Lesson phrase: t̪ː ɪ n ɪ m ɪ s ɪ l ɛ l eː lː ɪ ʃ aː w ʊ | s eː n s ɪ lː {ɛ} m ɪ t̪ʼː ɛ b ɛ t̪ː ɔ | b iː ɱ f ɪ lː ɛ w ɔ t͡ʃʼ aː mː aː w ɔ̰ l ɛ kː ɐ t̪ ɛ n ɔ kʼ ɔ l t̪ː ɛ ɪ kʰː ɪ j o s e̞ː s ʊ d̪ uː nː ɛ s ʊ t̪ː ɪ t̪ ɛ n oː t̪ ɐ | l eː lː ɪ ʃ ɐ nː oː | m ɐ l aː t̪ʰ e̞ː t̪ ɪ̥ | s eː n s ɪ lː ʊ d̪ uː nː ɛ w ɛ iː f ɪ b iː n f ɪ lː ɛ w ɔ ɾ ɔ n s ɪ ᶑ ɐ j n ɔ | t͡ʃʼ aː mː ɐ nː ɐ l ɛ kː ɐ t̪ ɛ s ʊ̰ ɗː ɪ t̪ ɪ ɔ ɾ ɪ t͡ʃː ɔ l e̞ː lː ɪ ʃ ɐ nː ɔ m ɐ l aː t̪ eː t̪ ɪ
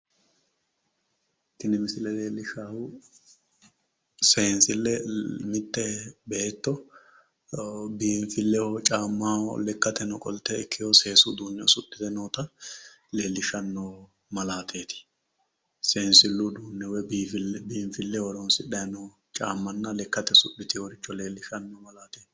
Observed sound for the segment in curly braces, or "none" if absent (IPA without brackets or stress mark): ɛ